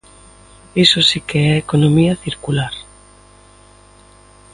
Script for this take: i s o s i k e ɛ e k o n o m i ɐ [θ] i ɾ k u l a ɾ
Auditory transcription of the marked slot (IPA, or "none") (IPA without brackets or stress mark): θ